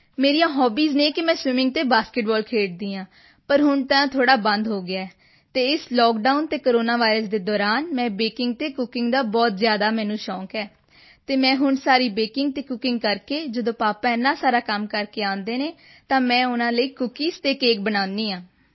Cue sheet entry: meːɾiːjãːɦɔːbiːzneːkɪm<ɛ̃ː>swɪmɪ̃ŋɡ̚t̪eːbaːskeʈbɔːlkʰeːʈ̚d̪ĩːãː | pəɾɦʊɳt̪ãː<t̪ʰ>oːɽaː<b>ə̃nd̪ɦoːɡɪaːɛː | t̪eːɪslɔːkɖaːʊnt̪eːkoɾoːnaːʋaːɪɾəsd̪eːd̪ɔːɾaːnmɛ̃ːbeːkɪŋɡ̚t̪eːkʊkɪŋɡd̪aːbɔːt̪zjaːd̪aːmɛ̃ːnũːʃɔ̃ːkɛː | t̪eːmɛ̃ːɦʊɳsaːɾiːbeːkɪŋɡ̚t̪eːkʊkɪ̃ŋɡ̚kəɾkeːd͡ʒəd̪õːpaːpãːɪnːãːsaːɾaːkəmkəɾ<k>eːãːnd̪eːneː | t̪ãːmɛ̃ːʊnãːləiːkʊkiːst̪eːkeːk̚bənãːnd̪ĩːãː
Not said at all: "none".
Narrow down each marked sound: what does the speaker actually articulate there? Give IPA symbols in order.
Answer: ɛ̃ː, t̪ʰ, b, k

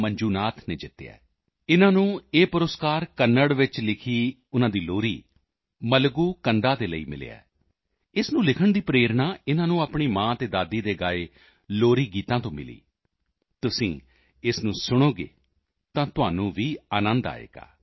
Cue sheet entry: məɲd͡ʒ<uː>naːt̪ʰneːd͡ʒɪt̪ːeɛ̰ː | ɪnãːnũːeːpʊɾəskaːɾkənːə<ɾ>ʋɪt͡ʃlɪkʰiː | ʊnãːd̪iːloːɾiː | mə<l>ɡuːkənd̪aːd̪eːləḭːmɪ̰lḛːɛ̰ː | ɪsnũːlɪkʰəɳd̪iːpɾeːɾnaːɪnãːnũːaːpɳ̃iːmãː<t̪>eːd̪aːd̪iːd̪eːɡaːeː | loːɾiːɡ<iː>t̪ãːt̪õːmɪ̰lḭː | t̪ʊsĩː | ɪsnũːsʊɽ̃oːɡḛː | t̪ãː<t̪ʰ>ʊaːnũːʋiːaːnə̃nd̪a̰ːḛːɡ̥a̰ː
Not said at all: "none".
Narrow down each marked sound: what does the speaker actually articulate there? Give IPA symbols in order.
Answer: uː, ɽ, l, t̪, iː, t̪

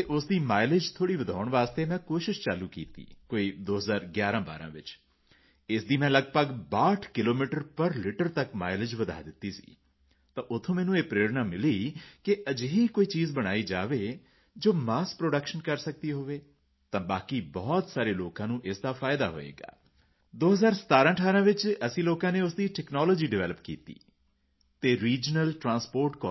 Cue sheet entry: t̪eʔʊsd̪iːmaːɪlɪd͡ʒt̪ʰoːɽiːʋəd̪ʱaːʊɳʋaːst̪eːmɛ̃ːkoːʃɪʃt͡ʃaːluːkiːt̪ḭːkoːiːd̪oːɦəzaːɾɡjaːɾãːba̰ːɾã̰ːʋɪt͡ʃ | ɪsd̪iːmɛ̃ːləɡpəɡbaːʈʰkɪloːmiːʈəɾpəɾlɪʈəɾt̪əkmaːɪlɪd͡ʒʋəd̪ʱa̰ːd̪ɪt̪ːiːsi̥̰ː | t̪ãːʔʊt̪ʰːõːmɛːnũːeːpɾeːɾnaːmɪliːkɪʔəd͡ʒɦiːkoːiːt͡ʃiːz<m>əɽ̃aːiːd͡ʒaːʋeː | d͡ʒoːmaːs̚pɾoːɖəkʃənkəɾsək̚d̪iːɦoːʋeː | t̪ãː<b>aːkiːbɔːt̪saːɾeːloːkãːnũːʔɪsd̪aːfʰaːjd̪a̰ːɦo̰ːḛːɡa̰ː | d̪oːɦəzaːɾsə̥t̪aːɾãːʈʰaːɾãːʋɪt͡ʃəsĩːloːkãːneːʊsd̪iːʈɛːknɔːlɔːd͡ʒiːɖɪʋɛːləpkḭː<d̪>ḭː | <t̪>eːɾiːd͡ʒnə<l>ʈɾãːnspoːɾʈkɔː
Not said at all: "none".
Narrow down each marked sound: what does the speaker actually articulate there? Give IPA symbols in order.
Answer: b, b, t̪, t̪, l

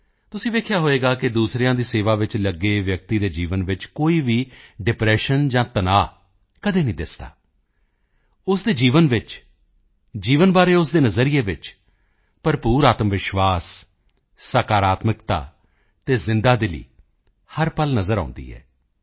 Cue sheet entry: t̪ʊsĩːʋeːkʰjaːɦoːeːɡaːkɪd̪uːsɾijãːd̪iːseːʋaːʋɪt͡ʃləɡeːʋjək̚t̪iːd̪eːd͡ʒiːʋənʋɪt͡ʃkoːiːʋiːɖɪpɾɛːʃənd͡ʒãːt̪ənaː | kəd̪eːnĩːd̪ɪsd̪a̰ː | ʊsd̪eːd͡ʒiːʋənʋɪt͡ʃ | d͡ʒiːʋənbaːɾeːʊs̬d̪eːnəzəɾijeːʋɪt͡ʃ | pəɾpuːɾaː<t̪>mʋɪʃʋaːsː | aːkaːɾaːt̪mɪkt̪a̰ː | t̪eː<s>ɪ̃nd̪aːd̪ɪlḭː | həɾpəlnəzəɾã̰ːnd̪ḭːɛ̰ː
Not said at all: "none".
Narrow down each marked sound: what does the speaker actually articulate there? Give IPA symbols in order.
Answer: t̪, z

